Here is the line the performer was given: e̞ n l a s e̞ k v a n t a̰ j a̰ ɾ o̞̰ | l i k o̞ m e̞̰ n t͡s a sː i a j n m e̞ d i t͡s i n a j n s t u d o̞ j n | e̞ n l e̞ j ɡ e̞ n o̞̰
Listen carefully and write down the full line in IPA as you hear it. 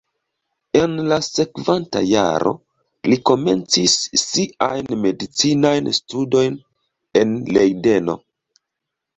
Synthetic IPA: e̞ n l a s e̞ k v a n t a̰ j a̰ ɾ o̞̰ | l i k o̞ m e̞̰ n t͡s i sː i a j n m e̞ d i t͡s i n a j n s t u d o̞ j n | e̞ n l e̞ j d e̞ n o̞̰